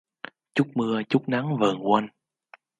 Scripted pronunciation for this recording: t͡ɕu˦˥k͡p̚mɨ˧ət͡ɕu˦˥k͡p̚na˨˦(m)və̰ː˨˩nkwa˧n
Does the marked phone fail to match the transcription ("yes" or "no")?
yes